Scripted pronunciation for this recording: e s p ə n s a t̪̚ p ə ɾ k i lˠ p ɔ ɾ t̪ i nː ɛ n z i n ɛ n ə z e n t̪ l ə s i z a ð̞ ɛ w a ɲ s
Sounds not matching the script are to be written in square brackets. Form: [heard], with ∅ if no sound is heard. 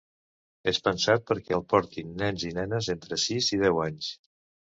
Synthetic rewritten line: e s p ə n s a t̪̚ p ə ɾ k [ɛ] lˠ p ɔ ɾ t̪ i nː ɛ n z i n ɛ n ə z e n t̪ [ɾ] ə s i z [i] ð̞ ɛ w a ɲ s